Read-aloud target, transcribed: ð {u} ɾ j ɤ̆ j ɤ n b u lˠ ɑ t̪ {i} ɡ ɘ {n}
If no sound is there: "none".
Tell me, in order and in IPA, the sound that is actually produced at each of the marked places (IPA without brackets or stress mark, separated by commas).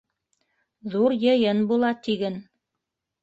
u, i, n